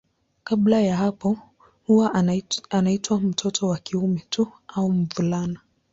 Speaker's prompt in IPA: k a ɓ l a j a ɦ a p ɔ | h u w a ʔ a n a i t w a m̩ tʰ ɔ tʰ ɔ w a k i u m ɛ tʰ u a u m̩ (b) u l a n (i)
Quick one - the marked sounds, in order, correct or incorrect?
incorrect: v, incorrect: a

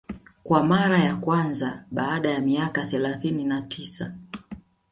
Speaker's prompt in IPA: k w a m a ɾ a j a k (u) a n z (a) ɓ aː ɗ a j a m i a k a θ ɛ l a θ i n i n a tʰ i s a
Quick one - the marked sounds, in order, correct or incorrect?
incorrect: w, correct

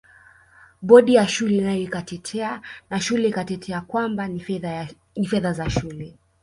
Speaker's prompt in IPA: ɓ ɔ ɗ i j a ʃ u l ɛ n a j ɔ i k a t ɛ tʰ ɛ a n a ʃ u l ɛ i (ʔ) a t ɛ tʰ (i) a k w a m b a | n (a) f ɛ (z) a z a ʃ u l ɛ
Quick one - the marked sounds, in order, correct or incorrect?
incorrect: k, incorrect: ɛ, incorrect: i, incorrect: ð

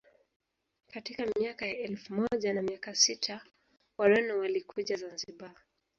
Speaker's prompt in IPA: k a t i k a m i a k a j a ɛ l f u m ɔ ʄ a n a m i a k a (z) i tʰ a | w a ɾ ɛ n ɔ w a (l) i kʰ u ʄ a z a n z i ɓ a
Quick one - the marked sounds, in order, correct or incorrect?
incorrect: s, correct

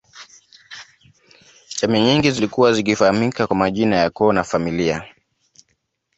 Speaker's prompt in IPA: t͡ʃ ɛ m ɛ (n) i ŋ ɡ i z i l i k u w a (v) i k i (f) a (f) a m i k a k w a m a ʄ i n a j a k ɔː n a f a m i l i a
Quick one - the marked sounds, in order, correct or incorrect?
incorrect: ɲ, incorrect: z, correct, incorrect: h

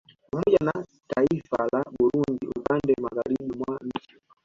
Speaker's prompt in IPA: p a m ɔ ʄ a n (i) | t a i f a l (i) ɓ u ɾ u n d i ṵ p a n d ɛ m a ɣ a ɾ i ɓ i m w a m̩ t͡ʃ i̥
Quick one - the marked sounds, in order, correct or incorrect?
incorrect: a, incorrect: a

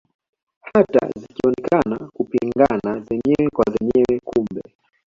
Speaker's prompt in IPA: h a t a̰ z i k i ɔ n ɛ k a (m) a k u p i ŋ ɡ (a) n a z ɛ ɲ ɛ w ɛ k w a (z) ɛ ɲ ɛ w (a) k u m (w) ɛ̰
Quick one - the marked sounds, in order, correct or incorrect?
incorrect: n, correct, correct, incorrect: ɛ, incorrect: b

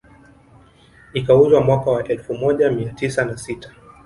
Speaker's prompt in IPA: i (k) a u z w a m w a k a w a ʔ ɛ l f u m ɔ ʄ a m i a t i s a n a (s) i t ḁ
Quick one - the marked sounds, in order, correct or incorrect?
correct, correct

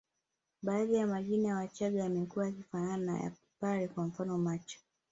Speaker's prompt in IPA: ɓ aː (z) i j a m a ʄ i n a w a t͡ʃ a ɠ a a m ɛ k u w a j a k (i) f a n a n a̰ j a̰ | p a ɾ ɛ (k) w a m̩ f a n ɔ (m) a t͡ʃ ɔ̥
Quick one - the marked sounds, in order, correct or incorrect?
incorrect: ð, correct, correct, correct

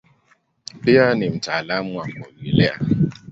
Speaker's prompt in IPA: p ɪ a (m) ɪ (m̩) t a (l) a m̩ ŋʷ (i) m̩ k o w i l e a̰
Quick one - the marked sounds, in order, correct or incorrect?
incorrect: n, correct, correct, incorrect: a

